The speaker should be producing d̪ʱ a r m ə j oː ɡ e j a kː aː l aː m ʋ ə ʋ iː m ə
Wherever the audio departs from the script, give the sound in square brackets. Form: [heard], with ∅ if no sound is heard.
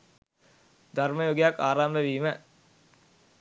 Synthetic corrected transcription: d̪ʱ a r m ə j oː ɡ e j a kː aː [ɾ] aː m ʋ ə ʋ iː m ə